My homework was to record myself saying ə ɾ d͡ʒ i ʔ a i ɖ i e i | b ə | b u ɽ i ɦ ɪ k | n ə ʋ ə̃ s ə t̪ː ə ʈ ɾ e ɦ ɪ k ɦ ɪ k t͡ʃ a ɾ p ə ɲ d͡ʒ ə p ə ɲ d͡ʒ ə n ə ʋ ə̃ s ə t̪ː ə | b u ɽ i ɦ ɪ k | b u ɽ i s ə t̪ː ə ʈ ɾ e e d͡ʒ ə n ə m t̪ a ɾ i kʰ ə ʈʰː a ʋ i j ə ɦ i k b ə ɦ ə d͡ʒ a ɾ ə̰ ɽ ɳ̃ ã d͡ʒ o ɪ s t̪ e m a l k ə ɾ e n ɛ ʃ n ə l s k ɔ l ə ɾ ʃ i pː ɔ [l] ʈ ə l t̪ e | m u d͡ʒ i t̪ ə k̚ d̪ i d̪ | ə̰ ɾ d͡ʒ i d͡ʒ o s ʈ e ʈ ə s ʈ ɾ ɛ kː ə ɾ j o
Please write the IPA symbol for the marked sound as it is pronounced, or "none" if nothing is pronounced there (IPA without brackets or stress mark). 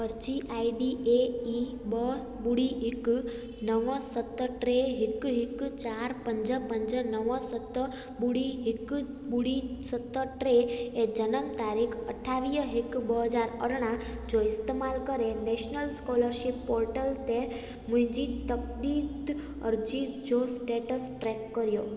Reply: ɾ